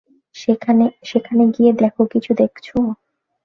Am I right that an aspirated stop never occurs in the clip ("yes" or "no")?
no